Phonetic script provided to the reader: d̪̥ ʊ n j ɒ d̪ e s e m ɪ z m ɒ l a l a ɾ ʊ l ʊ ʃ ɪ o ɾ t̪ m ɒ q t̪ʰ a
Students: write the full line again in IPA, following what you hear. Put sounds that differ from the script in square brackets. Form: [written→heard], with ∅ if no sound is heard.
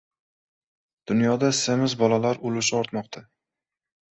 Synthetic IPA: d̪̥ ʊ n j ɒ d̪ [e→a] s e m ɪ z [m→b] ɒ l a l a ɾ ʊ l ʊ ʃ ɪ [o→ɒ] ɾ t̪ m ɒ q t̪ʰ a